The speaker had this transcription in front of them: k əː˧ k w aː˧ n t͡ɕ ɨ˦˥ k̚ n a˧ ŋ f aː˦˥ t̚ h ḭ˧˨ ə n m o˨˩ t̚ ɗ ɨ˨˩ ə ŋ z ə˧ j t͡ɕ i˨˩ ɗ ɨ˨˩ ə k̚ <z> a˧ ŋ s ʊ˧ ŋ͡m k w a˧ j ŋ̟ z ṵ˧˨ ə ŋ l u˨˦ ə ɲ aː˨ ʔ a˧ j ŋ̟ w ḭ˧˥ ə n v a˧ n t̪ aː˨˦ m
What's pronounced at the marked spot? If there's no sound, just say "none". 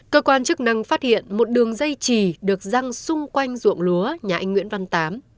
z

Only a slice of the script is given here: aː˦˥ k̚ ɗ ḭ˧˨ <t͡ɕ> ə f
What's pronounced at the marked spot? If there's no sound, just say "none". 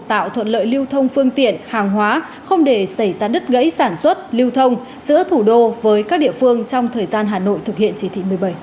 none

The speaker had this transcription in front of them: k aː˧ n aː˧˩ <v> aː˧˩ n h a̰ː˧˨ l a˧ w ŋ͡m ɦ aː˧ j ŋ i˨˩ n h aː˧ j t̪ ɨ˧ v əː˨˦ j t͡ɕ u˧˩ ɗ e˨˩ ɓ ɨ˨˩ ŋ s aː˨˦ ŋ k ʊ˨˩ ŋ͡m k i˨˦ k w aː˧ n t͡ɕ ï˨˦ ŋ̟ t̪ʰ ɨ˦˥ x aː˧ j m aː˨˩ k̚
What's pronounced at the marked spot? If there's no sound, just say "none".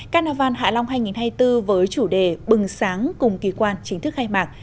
v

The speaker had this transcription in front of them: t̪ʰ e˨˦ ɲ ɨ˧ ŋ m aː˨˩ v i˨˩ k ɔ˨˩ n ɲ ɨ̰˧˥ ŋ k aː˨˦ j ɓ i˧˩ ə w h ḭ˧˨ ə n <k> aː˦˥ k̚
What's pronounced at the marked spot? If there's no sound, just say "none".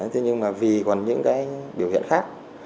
x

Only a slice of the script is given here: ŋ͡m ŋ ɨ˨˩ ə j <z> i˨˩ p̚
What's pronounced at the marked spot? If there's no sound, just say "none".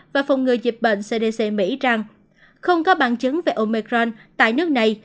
z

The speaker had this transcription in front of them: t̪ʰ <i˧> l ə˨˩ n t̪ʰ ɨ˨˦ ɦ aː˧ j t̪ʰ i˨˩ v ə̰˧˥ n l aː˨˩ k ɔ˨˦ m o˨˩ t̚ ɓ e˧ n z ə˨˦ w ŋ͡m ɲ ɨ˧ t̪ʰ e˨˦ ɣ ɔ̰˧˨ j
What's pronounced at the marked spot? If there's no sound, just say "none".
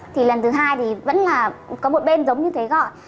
i˨˩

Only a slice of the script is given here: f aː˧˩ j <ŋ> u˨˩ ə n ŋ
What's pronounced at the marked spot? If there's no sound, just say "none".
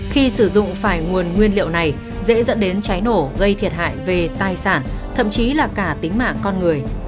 ŋ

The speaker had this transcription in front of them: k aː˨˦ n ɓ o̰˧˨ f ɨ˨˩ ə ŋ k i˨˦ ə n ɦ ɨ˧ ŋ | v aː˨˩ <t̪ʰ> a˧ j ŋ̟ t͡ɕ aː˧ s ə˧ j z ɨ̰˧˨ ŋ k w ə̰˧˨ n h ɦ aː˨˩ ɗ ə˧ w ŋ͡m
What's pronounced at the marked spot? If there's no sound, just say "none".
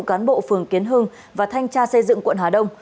t̪ʰ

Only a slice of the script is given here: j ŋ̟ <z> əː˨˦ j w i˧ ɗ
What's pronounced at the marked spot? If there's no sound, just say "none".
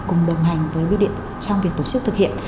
v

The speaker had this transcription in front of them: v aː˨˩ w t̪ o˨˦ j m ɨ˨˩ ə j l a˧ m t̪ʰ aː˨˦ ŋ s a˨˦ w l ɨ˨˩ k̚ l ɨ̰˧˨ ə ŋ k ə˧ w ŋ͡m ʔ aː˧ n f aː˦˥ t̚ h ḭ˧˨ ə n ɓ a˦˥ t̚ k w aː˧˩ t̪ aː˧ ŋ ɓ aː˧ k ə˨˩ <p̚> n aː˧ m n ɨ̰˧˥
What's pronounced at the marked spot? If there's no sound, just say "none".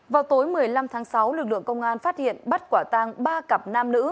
p̚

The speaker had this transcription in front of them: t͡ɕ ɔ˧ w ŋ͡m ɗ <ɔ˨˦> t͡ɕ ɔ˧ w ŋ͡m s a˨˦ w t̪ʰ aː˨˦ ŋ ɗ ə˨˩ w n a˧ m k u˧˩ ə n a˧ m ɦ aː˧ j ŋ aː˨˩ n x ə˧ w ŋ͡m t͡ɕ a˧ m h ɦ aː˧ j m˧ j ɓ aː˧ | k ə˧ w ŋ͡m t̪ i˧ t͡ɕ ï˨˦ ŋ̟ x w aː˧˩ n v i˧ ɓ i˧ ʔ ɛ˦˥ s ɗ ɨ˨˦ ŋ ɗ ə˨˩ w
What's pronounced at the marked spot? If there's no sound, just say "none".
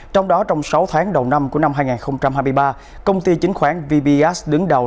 ɔ˨˦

